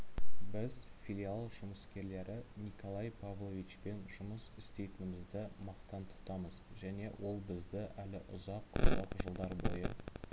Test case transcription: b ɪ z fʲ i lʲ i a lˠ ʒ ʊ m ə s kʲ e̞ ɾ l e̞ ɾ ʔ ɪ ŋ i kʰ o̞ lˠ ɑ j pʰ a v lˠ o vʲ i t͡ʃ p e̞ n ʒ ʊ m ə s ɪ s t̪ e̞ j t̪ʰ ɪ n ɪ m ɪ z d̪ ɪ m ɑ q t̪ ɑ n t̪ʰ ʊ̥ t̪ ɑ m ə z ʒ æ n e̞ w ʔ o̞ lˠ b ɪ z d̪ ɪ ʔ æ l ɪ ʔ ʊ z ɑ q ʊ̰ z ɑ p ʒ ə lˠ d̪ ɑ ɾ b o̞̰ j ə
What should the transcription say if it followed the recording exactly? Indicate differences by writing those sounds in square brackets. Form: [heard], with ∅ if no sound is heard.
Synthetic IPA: b ɪ z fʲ i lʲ i a lˠ ʒ ʊ m ə s kʲ e̞ ɾ l e̞ ɾ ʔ ɪ [n] i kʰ o̞ lˠ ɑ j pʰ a v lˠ o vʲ i t͡ʃ p e̞ n ʒ ʊ m ə s ɪ s t̪ e̞ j [t̪] ɪ n ɪ m ɪ z d̪ ɪ m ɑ q t̪ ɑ n t̪ʰ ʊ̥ t̪ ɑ m ə z ʒ æ n e̞ w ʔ o̞ lˠ b ɪ z d̪ ɪ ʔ æ l ɪ ʔ ʊ z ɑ q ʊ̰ z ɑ [q] ʒ ə lˠ d̪ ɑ ɾ b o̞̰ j ə